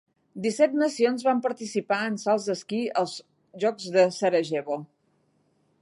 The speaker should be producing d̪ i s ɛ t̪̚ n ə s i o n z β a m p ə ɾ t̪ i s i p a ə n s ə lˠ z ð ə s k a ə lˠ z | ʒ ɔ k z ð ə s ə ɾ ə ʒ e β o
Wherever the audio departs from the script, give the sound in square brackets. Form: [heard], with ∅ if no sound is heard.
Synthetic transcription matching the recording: d̪ i s ɛ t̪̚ n ə s i o n z β a m p ə ɾ t̪ i s i p a ə n s [a] lˠ z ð ə s k [i] ə lˠ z | ʒ ɔ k z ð ə s ə ɾ ə ʒ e β o